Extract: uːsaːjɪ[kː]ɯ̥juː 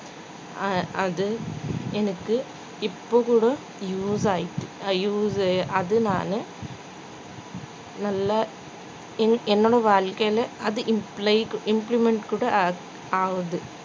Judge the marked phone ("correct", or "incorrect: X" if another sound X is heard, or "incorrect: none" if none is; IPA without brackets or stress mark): incorrect: ʈː